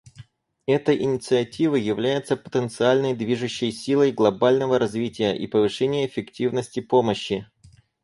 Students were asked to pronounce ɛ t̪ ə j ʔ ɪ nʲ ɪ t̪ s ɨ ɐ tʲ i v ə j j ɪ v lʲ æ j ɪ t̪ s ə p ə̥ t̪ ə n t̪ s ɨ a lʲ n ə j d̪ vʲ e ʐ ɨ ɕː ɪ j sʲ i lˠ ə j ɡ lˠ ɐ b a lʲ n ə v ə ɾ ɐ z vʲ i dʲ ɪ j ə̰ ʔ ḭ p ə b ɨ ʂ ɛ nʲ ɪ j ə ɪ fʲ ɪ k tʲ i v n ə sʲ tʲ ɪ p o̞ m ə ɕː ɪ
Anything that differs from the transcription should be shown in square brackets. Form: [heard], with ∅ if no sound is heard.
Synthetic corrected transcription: ɛ t̪ ə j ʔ ɪ nʲ ɪ t̪ s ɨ ɐ tʲ i v ə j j ɪ v lʲ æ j ɪ t̪ s ə p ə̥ t̪ ə n t̪ s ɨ a lʲ n ə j d̪ vʲ [i] ʐ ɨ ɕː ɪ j sʲ i lˠ ə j ɡ lˠ ɐ b a lʲ n ə v ə ɾ ɐ z vʲ i [tʲ] ɪ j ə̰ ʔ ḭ p ə [v] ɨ ʂ ɛ nʲ ɪ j ə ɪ fʲ ɪ k tʲ i v n ə sʲ tʲ ɪ p o̞ m ə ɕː ɪ